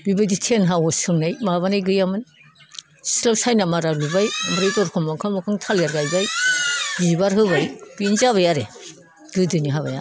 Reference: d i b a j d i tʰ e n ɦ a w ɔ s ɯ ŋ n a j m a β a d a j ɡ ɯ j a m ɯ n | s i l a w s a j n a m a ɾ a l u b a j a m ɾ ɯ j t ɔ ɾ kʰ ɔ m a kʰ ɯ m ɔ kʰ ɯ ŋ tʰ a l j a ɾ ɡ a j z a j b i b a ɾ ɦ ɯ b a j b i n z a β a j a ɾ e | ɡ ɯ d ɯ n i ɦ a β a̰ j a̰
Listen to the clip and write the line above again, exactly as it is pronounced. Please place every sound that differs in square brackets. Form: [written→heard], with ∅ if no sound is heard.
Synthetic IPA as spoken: [d→b] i b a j d i tʰ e n ɦ a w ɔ s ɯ ŋ n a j m a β a [d→n] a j ɡ ɯ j a m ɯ n | s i l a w s a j n a m a ɾ a l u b a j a m ɾ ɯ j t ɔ ɾ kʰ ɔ m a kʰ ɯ m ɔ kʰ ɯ ŋ tʰ a l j a ɾ ɡ a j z a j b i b a ɾ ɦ ɯ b a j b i n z a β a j a ɾ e | ɡ ɯ d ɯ n i ɦ a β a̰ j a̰